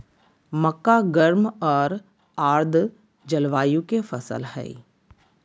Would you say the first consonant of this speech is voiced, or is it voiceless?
voiced